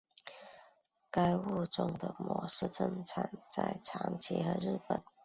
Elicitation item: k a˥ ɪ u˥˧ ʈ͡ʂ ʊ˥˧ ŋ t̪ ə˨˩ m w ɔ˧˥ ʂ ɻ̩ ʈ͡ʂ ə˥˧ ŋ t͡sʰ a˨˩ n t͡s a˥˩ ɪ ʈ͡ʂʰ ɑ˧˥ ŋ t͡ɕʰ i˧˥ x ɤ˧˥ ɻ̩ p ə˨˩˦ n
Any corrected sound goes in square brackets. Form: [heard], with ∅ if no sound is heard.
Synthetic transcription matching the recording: k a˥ ɪ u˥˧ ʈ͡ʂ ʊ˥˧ ŋ [d̪] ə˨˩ m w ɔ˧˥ ʂ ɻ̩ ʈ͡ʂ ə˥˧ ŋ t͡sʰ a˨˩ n t͡s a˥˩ ɪ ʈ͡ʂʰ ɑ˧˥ ŋ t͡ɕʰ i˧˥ x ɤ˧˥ ɻ̩ p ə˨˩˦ n

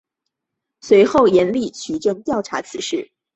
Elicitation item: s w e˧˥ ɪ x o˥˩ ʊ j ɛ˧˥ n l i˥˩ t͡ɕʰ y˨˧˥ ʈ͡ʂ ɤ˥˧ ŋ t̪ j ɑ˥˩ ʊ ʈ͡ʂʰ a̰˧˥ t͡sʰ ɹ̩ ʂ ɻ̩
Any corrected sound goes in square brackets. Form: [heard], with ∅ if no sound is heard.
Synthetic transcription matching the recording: s w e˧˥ ɪ x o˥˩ ʊ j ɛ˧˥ n l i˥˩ t͡ɕʰ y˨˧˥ ʈ͡ʂ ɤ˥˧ ŋ t̪ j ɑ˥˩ ʊ ʈ͡ʂʰ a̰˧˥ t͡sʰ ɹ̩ ʂ ɻ̩

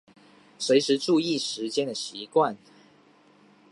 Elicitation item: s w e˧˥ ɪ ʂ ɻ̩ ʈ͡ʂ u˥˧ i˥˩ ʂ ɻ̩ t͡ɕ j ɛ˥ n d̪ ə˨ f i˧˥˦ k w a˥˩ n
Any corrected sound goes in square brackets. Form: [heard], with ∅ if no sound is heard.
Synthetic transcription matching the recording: s w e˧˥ ɪ ʂ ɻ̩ ʈ͡ʂ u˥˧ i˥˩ ʂ ɻ̩ t͡ɕ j ɛ˥ n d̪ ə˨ [ɕ] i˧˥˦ k w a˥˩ n

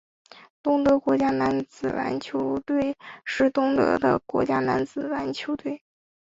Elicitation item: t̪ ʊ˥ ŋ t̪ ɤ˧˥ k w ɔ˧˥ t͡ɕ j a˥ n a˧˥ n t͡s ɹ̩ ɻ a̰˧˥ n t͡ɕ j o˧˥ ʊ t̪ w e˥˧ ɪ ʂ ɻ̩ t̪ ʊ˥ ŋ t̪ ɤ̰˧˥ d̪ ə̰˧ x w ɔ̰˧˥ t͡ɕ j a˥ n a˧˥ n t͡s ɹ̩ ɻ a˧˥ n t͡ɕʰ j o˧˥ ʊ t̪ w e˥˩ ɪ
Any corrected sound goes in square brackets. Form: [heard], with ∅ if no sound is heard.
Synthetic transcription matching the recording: t̪ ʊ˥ ŋ t̪ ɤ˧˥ k w ɔ˧˥ t͡ɕ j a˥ n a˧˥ n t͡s ɹ̩ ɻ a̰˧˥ n [t͡ɕʰ] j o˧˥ ʊ t̪ w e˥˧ ɪ ʂ ɻ̩ t̪ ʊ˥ ŋ t̪ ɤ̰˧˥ d̪ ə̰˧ [k] w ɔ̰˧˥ t͡ɕ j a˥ n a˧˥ n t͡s ɹ̩ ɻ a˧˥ n t͡ɕʰ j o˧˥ ʊ t̪ w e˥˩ ɪ

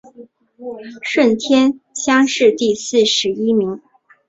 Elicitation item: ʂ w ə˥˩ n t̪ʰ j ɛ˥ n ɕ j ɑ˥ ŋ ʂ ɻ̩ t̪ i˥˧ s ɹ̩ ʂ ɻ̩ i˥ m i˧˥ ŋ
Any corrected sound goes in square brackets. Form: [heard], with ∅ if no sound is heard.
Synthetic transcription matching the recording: ʂ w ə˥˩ n t̪ʰ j ɛ˥ n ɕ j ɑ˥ ŋ ʂ ɻ̩ t̪ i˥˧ s ɹ̩ ʂ ɻ̩ i˥ m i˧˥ ŋ

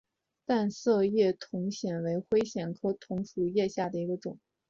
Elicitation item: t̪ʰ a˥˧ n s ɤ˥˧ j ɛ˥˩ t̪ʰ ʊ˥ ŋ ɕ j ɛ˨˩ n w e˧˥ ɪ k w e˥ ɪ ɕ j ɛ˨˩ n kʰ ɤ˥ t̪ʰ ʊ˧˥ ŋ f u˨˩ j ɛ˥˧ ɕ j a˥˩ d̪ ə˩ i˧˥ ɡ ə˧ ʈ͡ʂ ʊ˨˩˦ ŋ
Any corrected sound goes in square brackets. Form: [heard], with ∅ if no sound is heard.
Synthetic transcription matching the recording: [t̪] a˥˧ n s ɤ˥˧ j ɛ˥˩ t̪ʰ [ʊ˧˥] ŋ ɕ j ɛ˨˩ n w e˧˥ ɪ [x] w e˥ ɪ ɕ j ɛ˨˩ n kʰ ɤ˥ t̪ʰ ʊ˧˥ ŋ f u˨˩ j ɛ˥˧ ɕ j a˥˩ d̪ ə˩ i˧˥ ɡ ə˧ ʈ͡ʂ ʊ˨˩˦ ŋ

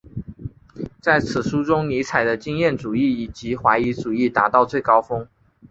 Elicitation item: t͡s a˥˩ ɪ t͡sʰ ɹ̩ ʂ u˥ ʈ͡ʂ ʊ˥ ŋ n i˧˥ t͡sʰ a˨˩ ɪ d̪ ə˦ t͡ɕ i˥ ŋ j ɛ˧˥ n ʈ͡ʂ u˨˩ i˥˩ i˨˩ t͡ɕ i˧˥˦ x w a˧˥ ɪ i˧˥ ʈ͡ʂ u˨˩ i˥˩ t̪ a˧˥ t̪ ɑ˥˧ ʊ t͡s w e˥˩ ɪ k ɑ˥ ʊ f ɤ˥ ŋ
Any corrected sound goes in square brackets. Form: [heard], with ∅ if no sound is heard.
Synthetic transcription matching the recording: t͡s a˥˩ ɪ t͡sʰ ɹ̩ ʂ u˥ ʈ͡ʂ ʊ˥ ŋ n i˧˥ t͡sʰ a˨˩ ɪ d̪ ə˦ t͡ɕ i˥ ŋ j [ɛ˥˩] n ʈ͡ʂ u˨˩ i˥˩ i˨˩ t͡ɕ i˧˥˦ x w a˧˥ ɪ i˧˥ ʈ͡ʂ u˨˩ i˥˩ t̪ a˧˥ t̪ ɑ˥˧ ʊ t͡s w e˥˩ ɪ k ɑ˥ ʊ f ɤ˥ ŋ

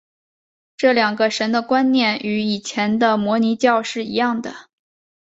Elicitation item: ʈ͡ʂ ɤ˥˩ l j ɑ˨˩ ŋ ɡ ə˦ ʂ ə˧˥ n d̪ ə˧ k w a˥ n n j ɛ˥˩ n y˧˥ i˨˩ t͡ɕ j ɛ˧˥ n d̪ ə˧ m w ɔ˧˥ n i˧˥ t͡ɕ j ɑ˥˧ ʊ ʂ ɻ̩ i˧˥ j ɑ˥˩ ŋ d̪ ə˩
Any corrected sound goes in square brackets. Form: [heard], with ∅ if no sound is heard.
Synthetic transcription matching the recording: ʈ͡ʂ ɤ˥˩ l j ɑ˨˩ ŋ ɡ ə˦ ʂ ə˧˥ n d̪ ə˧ k w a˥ n n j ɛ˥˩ n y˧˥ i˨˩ [t͡ɕʰ] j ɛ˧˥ n d̪ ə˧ m w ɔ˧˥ n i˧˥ t͡ɕ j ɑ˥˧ ʊ ʂ ɻ̩ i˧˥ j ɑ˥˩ ŋ d̪ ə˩

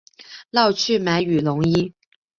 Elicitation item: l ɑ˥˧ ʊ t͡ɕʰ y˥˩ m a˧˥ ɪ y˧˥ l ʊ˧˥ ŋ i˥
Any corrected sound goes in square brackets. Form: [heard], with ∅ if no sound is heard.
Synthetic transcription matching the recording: l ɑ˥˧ ʊ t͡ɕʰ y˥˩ m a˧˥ ɪ [y˨˩] l ʊ˧˥ ŋ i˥

